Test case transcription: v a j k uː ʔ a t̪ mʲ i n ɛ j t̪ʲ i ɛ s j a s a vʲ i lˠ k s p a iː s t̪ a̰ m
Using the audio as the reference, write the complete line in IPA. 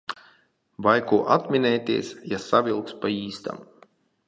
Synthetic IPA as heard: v a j k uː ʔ a t̪ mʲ i n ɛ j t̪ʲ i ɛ s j a s a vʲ i lˠ k s p a iː s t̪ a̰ m